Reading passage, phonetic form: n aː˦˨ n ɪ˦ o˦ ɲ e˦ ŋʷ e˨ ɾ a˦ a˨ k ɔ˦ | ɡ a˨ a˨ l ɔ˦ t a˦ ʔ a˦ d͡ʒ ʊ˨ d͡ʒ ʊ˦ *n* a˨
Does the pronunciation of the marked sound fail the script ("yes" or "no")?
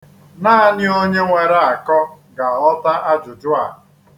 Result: yes